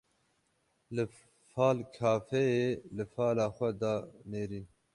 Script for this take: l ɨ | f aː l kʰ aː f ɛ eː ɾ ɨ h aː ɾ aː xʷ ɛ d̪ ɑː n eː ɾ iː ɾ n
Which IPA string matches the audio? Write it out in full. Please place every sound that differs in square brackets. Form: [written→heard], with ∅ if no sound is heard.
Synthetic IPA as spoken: l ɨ | f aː l kʰ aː f ɛ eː [ɾ→l] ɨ [h→f] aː [ɾ→l] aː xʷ ɛ d̪ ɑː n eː ɾ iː [ɾ→∅] n